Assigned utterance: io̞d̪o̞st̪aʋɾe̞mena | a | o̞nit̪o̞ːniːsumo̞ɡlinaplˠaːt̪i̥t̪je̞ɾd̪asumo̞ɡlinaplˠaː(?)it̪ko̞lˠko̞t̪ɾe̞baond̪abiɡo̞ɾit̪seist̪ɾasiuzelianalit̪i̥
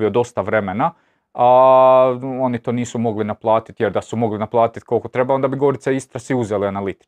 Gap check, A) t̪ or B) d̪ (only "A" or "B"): A